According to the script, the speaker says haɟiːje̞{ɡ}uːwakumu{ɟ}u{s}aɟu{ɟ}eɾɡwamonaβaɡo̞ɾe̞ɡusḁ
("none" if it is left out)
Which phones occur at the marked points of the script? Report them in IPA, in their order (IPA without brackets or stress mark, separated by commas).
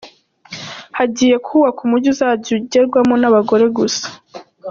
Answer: k, ɟ, z, ɟ